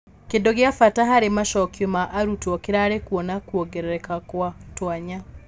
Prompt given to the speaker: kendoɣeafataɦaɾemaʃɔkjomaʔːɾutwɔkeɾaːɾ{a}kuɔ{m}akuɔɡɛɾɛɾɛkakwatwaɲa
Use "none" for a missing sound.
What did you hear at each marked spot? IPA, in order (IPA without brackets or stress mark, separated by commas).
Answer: e, n